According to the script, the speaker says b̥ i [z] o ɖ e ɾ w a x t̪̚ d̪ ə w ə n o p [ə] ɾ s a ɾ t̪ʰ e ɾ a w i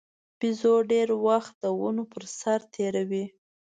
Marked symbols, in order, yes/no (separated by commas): yes, yes